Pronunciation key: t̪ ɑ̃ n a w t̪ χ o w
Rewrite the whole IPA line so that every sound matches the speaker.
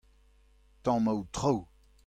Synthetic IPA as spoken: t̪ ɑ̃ m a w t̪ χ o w